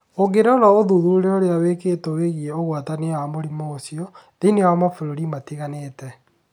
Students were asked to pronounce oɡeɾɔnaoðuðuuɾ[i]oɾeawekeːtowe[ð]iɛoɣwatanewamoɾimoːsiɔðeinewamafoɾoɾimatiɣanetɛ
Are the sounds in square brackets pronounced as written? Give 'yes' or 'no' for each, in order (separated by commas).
no, no